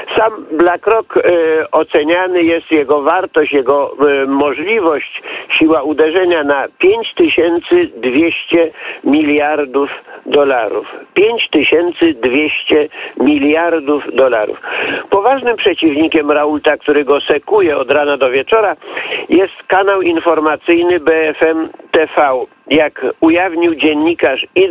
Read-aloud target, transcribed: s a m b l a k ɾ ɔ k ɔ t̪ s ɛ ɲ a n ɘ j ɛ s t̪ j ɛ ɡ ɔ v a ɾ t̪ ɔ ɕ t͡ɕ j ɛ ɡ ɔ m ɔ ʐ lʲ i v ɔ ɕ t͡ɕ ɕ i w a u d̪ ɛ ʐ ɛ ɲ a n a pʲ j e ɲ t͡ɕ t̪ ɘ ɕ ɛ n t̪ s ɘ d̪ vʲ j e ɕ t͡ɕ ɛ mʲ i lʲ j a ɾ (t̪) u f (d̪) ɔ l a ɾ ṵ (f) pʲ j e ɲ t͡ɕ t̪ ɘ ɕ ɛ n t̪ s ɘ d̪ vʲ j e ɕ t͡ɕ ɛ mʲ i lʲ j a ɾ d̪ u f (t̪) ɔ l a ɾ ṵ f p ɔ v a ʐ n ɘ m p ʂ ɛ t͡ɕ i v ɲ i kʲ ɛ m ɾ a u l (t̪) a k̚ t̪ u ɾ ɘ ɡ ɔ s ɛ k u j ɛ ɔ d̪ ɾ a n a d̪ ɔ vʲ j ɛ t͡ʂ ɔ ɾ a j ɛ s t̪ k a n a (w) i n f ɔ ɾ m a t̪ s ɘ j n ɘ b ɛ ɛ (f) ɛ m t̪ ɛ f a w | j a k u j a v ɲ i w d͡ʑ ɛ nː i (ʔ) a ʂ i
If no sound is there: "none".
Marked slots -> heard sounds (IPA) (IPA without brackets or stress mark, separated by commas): d̪, d̪, f, d̪, t̪, w, f, k